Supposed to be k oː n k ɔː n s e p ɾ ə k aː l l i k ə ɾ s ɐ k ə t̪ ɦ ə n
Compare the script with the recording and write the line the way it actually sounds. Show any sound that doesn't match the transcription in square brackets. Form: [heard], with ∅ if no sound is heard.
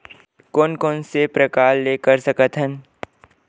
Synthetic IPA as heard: k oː n k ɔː n s e p ɾ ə k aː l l [e] k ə ɾ s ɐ k ə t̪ ɦ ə n